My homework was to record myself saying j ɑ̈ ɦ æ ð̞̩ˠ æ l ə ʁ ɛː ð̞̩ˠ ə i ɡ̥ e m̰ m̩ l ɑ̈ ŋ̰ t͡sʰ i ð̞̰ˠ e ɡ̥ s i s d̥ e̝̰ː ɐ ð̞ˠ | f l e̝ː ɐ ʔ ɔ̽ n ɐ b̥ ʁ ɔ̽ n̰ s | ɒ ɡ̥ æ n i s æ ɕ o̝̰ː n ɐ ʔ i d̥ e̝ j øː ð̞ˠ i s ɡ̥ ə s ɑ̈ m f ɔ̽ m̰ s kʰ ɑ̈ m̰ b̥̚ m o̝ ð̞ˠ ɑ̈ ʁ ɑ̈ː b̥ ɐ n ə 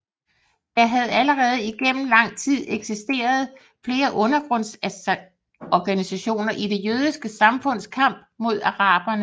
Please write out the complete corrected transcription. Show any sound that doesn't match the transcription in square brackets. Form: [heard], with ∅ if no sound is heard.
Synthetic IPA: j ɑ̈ ɦ æ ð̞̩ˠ æ l ə ʁ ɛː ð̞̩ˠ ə i ɡ̥ e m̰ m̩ l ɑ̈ ŋ̰ t͡sʰ i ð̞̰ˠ e ɡ̥ s i s d̥ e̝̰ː ɐ ð̞ˠ | f l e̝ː ɐ ʔ ɔ̽ n ɐ [ɡ̥] ʁ ɔ̽ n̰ s | ɒ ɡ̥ æ n i s æ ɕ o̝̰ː n ɐ ʔ i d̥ e̝ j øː ð̞ˠ i s ɡ̥ ə s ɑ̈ m f ɔ̽ [n̰] s kʰ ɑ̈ m̰ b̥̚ m o̝ ð̞ˠ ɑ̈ ʁ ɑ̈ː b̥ ɐ n ə